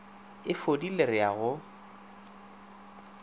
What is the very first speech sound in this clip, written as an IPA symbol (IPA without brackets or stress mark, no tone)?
ɪ